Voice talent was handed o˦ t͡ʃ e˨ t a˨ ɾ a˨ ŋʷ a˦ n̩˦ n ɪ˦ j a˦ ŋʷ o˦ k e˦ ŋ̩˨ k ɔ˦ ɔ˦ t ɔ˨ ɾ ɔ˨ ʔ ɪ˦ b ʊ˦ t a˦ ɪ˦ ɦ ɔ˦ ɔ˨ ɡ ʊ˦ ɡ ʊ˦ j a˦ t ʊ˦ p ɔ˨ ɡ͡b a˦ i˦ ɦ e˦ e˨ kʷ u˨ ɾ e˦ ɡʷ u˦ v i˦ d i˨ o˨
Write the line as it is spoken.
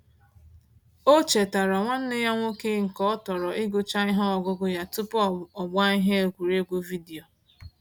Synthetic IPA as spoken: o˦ t͡ʃ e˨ t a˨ ɾ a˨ ŋʷ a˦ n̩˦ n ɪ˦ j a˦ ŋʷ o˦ k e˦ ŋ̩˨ k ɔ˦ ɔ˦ t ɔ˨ ɾ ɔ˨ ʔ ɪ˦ ɡ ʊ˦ t͡ʃ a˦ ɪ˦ ɦ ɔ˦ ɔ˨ ɡ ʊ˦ ɡ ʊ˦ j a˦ t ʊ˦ p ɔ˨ ɡ͡b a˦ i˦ ɦ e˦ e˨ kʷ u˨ ɾ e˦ ɡʷ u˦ v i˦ d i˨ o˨